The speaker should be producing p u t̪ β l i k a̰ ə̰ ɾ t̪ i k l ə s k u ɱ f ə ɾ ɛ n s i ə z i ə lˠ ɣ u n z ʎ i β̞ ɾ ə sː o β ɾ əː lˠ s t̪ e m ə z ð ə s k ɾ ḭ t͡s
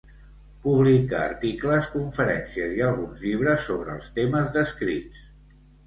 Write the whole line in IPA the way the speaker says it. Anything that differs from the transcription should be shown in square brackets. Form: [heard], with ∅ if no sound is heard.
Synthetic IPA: p u [∅] β l i k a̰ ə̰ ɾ t̪ i k l ə s k u ɱ f ə ɾ ɛ n s i ə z i ə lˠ ɣ u n z ʎ i β̞ ɾ ə sː o β ɾ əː lˠ s t̪ e m ə z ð ə s k ɾ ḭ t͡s